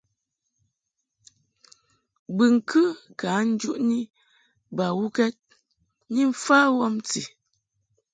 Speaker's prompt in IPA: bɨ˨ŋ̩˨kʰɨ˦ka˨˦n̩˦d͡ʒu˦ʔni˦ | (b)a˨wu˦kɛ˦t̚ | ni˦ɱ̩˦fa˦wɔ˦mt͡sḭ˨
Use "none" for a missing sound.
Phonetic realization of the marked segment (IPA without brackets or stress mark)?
b